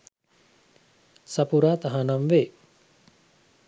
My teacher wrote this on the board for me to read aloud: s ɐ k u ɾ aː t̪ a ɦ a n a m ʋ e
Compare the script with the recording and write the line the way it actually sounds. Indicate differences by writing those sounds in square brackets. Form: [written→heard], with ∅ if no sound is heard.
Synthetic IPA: s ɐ [k→p] u ɾ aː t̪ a ɦ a n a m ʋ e